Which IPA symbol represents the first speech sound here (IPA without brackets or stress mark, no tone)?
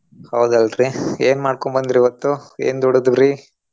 h